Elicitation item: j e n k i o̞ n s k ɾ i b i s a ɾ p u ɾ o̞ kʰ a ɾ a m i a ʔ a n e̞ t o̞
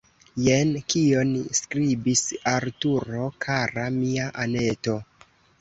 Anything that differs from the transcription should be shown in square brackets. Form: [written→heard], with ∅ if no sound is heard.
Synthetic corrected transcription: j e n k i o̞ n s k ɾ i b i s a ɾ [p→t] u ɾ o̞ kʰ a ɾ a m i a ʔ a n e̞ t o̞

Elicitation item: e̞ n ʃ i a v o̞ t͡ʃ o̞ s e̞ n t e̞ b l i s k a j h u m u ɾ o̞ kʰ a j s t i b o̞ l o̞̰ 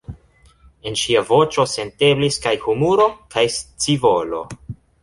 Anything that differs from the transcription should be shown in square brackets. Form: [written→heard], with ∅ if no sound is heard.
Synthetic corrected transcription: e̞ n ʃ i a v o̞ t͡ʃ o̞ s e̞ n t e̞ b l i s k a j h u m u ɾ o̞ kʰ a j s [t→t͡s] i [b→v] o̞ l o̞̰

